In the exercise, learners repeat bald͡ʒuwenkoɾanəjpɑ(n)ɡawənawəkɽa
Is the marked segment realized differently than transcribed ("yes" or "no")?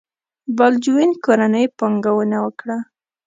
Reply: yes